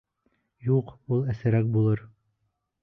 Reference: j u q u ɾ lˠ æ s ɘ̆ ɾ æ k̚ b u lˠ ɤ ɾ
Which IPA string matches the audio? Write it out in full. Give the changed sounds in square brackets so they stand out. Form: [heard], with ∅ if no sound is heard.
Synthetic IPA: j u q u [∅] lˠ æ s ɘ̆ ɾ æ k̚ b u lˠ ɤ ɾ